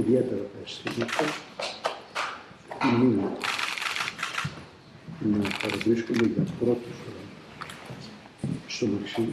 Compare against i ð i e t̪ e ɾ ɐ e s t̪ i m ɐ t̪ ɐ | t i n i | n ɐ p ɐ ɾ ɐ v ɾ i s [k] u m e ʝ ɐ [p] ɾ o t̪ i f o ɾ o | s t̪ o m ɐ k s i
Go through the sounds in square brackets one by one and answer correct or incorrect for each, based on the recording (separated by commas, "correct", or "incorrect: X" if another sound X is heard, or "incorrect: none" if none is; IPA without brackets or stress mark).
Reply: correct, correct